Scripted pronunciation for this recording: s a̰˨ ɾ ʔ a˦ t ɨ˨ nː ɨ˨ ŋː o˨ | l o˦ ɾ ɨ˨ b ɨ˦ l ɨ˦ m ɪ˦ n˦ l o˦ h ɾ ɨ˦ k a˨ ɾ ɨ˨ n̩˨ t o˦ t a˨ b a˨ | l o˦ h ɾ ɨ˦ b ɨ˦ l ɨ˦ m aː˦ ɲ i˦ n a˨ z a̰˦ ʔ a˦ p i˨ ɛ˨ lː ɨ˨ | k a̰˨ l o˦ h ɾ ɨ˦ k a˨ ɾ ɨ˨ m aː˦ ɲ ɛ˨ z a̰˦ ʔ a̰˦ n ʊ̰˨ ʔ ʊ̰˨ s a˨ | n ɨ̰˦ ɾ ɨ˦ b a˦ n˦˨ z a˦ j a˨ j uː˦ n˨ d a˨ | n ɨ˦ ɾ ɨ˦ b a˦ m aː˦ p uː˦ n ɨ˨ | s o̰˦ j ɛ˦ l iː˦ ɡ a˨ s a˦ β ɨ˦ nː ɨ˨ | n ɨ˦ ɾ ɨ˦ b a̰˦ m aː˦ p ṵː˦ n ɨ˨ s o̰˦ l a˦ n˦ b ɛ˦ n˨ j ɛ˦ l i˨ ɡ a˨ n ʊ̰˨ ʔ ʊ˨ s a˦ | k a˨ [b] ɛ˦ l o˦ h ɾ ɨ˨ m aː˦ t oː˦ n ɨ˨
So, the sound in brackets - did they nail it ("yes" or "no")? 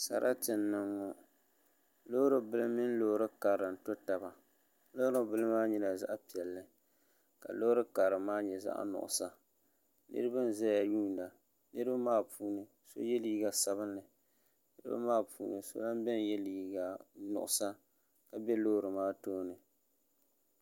yes